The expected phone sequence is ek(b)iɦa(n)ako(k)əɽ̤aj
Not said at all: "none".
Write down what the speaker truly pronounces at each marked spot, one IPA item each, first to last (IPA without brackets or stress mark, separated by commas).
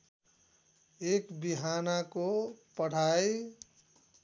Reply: b, n, p